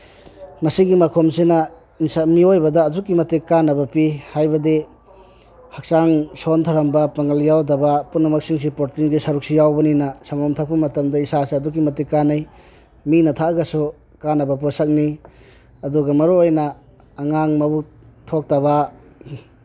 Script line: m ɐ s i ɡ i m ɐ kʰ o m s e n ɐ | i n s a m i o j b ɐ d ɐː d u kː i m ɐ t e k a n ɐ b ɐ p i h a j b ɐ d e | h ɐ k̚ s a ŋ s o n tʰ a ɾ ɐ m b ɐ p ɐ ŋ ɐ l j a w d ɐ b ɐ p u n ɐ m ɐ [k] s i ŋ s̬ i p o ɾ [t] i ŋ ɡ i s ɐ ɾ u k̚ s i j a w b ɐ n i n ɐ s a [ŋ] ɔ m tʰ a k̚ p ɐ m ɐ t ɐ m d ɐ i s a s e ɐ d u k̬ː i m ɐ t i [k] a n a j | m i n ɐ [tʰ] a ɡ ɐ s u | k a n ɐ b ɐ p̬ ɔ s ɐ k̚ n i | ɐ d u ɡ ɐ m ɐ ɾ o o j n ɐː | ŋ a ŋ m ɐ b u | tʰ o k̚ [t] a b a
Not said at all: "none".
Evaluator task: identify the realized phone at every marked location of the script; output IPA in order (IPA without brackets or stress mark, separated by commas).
k, t, ŋ, k, tʰ, t